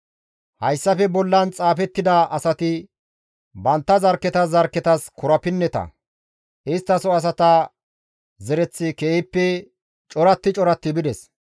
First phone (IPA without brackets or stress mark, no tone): h